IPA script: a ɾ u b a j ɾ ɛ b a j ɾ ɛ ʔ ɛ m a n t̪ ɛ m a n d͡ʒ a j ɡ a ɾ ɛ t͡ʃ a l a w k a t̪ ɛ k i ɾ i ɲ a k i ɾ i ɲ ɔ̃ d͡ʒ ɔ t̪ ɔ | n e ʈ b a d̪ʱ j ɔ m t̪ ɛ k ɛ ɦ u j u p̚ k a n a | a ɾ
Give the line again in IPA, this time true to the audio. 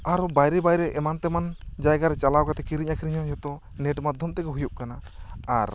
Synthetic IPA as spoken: a ɾ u b a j ɾ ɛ b a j ɾ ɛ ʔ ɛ m a n t̪ ɛ m a n d͡ʒ a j ɡ a ɾ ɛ t͡ʃ a l a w k a t̪ ɛ k i ɾ i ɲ a k i ɾ i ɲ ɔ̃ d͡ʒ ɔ t̪ ɔ | n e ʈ m a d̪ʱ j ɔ m t̪ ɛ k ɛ ɦ u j u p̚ k a n a | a ɾ